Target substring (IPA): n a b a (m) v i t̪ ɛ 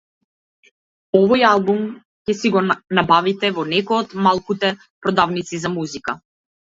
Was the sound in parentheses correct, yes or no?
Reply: no